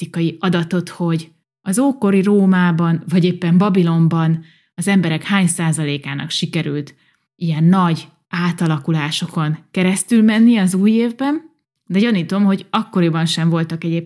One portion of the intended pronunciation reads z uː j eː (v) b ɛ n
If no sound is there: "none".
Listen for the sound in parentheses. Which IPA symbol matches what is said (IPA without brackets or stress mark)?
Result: v